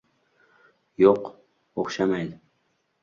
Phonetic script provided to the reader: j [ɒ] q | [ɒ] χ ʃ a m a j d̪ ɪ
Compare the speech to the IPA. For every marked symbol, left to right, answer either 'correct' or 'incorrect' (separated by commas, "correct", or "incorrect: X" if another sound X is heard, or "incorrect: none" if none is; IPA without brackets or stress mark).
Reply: incorrect: o, incorrect: o